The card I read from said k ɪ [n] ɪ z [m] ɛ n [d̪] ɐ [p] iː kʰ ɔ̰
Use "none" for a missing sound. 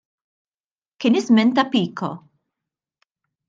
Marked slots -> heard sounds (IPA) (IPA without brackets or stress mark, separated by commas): n, m, t̪, p